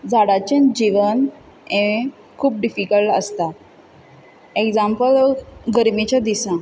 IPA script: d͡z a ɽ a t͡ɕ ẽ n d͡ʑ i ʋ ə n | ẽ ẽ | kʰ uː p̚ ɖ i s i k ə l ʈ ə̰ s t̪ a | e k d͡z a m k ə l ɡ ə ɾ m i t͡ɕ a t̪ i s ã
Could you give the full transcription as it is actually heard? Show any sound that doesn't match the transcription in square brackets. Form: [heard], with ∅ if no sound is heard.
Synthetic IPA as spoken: d͡z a ɽ a t͡ɕ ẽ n d͡ʑ i ʋ ə n | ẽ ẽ | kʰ uː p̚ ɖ i [f] i k ə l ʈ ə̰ s t̪ a | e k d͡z a m [p] ə l ɡ ə ɾ m i t͡ɕ a [d̪] i s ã